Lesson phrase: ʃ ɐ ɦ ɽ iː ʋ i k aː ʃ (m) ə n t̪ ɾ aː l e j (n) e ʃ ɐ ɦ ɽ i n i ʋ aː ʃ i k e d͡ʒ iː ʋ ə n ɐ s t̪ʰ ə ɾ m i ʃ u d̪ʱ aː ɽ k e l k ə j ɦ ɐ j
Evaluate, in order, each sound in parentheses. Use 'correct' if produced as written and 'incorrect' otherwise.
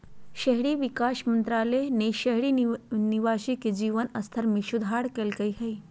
correct, correct

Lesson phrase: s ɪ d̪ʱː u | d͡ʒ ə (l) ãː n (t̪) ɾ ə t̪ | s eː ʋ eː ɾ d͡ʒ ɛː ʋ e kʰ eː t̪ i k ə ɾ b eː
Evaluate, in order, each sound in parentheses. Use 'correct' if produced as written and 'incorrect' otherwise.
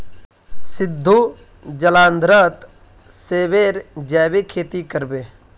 correct, incorrect: d̪

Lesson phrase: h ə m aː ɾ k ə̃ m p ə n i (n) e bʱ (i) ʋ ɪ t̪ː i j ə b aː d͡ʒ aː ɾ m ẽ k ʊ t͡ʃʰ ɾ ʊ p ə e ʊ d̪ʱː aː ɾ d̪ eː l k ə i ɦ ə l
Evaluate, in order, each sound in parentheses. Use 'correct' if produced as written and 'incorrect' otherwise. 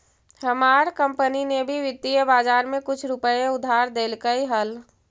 correct, correct

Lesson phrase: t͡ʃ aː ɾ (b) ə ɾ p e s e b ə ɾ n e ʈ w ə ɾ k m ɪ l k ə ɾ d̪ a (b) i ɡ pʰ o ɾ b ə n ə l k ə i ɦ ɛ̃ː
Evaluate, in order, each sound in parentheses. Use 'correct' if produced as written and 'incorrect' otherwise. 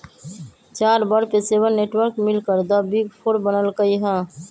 correct, correct

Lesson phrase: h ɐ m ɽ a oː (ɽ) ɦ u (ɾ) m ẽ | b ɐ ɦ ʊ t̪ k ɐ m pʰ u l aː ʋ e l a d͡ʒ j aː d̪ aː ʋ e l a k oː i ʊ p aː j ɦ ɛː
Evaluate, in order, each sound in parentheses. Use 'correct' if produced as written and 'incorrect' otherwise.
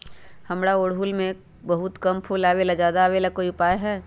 correct, incorrect: l

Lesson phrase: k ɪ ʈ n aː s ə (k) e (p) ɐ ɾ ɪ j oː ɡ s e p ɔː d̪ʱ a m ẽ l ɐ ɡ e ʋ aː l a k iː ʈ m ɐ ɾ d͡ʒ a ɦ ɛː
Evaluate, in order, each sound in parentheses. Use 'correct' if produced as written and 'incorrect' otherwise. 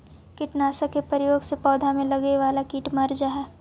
correct, correct

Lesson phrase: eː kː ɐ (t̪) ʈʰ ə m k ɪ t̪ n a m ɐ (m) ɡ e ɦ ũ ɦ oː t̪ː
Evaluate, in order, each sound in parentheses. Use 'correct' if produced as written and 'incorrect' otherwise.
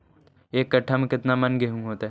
incorrect: none, incorrect: n

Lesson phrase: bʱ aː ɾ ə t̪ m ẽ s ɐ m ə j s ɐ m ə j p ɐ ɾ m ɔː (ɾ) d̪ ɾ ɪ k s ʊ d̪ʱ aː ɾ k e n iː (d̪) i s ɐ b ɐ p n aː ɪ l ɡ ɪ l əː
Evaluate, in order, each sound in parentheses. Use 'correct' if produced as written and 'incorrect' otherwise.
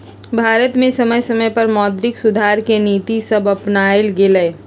incorrect: none, incorrect: t̪

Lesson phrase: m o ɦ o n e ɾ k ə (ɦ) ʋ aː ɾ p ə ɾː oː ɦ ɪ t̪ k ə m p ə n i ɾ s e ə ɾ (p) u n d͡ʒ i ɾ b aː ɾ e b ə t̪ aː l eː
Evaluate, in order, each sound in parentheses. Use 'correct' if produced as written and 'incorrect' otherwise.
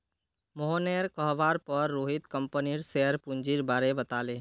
correct, correct

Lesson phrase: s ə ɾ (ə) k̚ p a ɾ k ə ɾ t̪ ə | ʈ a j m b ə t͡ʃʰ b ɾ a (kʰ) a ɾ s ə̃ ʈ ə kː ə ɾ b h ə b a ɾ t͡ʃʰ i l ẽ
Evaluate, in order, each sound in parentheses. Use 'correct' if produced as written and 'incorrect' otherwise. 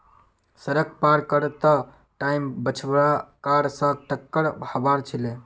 correct, incorrect: k

